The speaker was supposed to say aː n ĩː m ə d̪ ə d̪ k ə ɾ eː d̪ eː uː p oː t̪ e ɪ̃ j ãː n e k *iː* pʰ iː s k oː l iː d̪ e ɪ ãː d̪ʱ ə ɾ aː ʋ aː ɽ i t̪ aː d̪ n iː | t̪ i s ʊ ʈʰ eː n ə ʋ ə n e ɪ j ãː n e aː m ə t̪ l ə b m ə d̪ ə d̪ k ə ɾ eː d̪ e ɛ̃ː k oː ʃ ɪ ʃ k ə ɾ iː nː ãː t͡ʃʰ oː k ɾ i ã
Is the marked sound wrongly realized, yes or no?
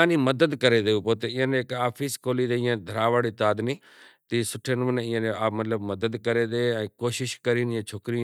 yes